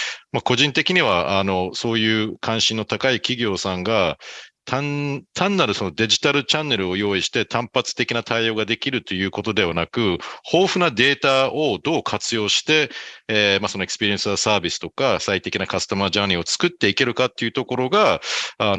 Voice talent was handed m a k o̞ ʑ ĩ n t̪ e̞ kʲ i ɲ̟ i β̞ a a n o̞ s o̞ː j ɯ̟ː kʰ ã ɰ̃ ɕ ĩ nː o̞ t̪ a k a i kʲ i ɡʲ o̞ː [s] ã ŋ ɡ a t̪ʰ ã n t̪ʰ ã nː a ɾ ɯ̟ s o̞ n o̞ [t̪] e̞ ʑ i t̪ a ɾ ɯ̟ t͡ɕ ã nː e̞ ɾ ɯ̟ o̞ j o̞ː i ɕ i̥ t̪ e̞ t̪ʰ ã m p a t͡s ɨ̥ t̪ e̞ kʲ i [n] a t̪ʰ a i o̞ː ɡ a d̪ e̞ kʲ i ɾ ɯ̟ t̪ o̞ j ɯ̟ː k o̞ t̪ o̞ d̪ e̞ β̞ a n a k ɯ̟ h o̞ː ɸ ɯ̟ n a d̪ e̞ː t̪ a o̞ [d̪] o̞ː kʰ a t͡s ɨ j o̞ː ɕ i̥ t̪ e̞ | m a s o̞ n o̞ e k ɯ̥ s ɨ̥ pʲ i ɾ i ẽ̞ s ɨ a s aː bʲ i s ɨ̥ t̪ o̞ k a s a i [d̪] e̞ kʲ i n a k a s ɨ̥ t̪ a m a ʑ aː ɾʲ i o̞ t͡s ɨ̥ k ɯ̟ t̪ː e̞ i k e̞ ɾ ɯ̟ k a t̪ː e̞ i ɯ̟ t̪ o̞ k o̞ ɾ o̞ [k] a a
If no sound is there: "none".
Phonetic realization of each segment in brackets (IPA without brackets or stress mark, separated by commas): s, d̪, n, d̪, t̪, ɡ